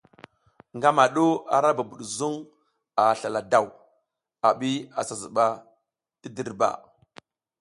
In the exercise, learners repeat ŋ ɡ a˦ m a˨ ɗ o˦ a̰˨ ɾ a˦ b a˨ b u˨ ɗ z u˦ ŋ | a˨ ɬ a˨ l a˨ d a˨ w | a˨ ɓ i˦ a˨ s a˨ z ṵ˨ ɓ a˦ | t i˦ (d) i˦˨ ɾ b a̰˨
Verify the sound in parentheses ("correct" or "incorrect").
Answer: correct